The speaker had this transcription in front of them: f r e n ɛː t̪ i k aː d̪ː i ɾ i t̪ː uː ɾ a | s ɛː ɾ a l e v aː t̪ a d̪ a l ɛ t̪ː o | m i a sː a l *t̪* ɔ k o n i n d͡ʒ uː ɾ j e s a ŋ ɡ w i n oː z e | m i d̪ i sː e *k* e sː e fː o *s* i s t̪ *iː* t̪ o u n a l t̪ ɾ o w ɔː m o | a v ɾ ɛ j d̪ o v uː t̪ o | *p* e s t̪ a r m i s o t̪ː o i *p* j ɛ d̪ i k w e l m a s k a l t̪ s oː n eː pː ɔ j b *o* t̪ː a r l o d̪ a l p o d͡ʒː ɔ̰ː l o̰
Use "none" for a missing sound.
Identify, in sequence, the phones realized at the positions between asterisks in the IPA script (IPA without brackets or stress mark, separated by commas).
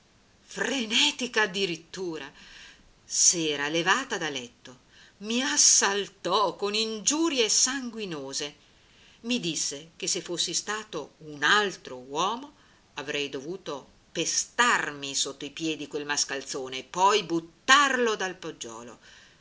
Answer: t̪, k, sː, aː, p, p, u